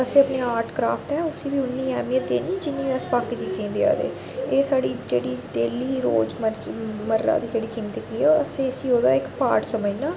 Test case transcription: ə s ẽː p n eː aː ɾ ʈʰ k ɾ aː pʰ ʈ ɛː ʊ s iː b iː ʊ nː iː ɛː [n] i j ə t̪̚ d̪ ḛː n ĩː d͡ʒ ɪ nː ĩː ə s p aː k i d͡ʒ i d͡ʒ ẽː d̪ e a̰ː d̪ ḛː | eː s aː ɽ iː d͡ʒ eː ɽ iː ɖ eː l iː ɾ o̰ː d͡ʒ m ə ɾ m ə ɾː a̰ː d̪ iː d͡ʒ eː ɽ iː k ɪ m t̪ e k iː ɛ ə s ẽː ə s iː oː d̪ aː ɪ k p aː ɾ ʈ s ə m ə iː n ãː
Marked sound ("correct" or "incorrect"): incorrect